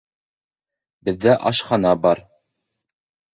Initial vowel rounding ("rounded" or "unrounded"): unrounded